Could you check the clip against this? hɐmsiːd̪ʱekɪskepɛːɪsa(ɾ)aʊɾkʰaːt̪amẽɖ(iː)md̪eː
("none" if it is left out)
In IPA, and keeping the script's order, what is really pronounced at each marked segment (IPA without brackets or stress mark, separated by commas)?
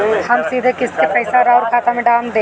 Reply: ɾ, aː